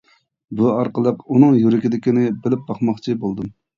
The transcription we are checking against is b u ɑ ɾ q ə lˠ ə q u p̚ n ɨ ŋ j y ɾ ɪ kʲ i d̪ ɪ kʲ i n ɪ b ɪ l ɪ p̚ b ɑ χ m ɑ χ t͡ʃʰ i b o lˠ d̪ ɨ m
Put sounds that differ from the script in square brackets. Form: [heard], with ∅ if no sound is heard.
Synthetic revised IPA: b u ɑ ɾ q ə lˠ ə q u [∅] n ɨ ŋ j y ɾ ɪ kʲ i d̪ ɪ kʲ i n ɪ b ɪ l ɪ p̚ b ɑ χ m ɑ χ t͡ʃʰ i b o lˠ d̪ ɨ m